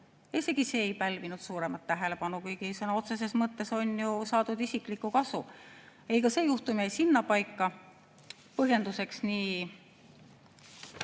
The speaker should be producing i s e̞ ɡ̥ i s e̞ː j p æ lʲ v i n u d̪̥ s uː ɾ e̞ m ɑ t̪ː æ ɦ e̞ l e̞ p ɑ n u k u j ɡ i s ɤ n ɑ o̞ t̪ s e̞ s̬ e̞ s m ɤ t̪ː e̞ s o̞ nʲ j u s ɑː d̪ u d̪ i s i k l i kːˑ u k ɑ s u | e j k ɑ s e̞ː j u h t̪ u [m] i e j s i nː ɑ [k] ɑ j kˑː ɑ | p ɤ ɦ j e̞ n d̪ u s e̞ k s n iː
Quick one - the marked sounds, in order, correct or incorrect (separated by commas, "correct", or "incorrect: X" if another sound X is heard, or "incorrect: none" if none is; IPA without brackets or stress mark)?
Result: correct, incorrect: p